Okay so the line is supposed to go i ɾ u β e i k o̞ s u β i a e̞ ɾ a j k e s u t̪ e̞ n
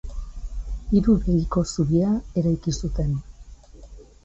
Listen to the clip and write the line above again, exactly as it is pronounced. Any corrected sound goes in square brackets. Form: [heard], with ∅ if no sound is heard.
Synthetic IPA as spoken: i ɾ u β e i k o̞ s u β i a e̞ ɾ a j k [i] s u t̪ e̞ n